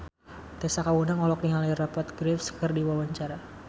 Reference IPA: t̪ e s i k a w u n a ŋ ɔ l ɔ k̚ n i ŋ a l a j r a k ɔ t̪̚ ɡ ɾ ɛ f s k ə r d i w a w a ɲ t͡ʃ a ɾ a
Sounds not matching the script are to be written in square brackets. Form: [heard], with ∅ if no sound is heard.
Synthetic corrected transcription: t̪ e s [a] k a w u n a ŋ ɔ l ɔ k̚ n i ŋ a l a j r a [p] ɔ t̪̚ ɡ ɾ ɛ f s k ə r d i w a w a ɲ t͡ʃ a ɾ a